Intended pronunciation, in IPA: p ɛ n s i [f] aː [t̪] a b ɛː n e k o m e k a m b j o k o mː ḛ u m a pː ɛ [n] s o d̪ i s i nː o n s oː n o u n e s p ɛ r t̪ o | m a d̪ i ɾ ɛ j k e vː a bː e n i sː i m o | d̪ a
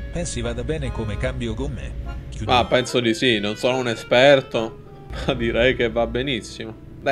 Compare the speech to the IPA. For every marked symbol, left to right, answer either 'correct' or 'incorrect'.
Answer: incorrect, incorrect, correct

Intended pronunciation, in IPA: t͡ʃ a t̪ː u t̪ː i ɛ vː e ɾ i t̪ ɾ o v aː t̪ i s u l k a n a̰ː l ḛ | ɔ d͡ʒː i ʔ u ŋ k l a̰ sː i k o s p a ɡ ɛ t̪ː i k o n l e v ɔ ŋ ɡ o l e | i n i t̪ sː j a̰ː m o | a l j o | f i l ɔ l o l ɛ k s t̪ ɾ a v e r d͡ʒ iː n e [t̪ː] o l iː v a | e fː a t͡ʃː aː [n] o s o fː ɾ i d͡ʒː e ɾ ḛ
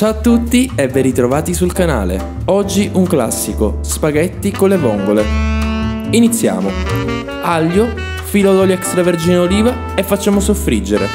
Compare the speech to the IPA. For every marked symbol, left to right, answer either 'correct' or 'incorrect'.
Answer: incorrect, incorrect

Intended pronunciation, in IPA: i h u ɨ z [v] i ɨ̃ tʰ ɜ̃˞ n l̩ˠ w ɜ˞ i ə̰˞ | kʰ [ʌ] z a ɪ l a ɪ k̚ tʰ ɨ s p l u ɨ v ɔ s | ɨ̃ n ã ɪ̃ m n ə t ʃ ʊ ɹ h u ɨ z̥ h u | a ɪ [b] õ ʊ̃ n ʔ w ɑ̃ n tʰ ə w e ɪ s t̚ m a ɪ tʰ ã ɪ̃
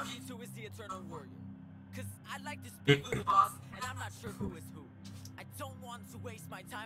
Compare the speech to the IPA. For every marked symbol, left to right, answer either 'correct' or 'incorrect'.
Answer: incorrect, correct, incorrect

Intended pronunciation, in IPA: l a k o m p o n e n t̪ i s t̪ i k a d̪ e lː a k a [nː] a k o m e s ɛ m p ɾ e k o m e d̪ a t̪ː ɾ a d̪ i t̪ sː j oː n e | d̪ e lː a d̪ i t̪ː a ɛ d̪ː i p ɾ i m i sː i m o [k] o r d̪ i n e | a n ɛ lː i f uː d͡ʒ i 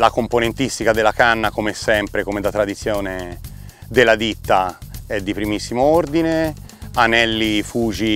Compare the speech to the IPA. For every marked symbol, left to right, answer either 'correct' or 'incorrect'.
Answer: correct, incorrect

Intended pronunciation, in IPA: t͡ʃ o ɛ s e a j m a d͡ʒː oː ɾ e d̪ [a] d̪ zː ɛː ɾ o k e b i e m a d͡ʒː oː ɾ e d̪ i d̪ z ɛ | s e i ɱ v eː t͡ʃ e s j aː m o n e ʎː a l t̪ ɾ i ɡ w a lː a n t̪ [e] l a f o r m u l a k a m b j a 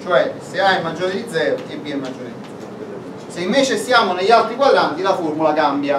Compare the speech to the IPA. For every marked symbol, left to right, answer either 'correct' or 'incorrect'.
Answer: incorrect, incorrect

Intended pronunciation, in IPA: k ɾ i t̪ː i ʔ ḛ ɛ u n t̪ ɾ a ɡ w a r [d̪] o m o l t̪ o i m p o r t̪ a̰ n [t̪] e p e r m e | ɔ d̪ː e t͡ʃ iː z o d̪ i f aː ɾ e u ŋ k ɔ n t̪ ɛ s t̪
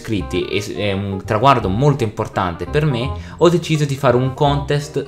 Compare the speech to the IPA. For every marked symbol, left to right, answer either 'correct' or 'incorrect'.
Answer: correct, correct

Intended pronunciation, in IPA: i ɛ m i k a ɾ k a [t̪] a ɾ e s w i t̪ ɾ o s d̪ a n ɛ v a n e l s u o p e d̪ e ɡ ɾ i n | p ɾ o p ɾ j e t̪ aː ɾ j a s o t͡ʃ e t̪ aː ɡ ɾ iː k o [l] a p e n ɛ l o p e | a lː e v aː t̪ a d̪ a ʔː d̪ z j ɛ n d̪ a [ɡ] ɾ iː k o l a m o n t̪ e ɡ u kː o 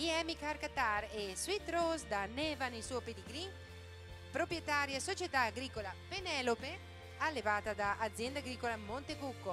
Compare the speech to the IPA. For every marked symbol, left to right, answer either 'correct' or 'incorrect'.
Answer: correct, correct, correct

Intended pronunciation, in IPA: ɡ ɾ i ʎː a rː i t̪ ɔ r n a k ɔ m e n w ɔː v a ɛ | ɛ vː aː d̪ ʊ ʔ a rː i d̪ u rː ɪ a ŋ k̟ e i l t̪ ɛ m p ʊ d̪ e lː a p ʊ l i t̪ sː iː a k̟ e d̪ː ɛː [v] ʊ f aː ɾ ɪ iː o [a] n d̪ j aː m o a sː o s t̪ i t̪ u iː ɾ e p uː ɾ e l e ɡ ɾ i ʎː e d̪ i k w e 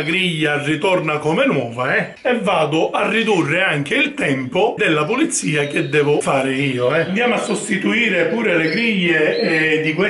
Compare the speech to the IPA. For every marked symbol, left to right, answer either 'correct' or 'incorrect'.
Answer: correct, incorrect

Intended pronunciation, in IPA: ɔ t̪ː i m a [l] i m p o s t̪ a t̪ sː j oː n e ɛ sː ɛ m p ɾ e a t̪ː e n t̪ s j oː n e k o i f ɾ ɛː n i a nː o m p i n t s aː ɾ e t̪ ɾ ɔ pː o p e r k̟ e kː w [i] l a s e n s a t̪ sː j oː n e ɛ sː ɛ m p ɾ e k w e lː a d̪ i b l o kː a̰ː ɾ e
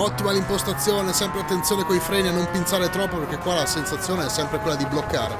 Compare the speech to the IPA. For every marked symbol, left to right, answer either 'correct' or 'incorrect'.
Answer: correct, incorrect

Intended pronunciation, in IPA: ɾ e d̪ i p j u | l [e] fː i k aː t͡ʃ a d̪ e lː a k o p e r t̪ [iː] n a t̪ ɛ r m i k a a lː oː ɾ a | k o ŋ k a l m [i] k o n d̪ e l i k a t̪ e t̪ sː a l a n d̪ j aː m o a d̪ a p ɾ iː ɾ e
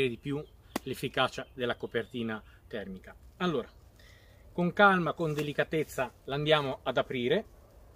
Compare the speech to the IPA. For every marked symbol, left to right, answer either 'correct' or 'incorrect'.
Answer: correct, correct, incorrect

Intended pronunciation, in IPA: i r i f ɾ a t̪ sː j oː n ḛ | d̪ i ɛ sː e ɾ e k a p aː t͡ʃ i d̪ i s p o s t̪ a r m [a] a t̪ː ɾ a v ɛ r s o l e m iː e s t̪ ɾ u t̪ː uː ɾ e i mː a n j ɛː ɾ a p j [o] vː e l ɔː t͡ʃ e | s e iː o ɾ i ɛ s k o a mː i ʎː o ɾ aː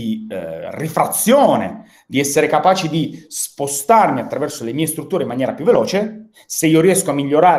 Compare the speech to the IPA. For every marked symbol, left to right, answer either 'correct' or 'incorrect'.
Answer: incorrect, incorrect

